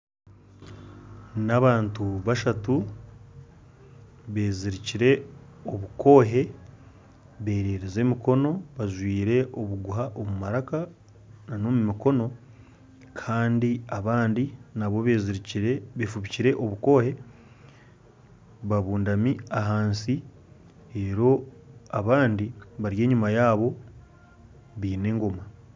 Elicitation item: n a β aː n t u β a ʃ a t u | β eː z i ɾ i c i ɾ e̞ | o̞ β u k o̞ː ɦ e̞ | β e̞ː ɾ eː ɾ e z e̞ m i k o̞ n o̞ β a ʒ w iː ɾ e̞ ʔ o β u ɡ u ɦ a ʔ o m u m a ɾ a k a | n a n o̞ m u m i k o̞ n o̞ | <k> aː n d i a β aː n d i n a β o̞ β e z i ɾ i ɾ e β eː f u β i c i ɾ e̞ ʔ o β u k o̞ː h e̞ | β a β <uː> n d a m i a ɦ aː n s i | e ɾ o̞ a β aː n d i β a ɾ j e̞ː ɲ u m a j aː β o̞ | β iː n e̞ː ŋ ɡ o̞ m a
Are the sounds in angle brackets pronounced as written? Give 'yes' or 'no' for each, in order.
no, yes

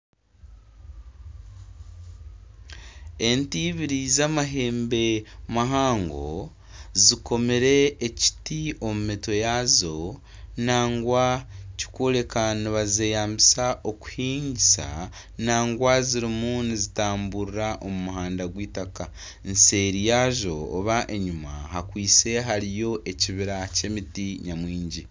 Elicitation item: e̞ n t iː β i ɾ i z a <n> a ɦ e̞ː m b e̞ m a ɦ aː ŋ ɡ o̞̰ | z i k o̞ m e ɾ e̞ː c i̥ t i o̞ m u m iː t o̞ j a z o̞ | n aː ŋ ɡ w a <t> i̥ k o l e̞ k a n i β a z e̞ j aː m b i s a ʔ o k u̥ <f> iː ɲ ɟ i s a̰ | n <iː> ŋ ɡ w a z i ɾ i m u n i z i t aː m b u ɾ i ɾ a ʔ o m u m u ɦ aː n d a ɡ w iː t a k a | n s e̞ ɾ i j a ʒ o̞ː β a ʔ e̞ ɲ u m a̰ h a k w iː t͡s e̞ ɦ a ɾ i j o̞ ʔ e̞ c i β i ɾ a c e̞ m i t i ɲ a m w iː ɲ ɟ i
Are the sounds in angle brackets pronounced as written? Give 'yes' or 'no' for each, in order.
no, no, no, no

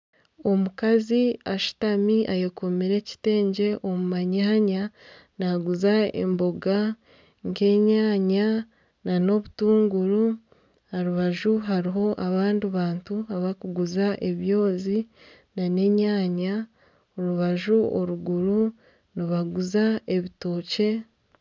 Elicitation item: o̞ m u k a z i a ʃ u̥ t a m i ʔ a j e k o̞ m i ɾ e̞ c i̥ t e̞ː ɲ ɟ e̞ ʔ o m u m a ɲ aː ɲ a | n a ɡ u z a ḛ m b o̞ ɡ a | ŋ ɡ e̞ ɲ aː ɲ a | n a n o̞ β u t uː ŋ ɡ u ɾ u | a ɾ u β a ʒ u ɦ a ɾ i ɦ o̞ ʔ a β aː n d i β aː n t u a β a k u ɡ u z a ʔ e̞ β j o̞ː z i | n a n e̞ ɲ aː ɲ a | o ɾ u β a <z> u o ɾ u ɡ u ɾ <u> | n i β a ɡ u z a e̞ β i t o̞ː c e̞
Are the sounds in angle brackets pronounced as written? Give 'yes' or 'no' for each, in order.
no, yes

